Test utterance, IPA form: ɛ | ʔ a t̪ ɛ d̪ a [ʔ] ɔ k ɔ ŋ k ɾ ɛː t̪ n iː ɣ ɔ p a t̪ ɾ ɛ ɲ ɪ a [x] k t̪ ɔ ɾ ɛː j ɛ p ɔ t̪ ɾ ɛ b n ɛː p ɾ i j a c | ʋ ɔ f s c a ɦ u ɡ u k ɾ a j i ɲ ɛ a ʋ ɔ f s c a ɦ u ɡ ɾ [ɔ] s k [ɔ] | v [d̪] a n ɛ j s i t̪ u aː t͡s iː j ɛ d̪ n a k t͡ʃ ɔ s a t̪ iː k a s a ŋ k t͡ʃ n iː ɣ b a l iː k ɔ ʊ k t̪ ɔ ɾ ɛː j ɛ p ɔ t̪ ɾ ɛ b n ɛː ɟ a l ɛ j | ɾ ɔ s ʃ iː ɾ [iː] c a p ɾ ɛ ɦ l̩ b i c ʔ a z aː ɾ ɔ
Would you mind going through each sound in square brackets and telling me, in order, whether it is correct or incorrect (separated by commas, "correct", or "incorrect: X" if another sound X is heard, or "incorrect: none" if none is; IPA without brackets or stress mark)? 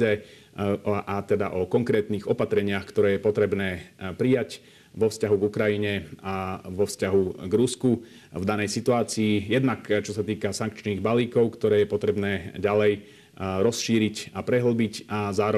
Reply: correct, correct, incorrect: u, incorrect: u, correct, incorrect: i